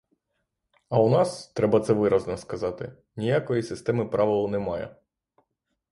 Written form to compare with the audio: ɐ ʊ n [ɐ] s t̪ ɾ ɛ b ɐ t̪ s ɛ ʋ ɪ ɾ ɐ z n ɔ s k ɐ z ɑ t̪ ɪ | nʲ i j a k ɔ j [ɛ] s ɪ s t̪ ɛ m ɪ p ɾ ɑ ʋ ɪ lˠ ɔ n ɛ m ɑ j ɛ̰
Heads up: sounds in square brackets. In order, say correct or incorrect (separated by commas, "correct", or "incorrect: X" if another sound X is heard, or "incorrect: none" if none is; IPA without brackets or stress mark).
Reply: incorrect: ɑ, incorrect: i